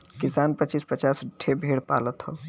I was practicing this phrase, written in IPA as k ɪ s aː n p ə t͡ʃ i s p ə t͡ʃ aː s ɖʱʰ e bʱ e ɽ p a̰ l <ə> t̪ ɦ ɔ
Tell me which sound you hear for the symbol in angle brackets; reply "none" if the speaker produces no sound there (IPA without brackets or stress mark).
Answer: ə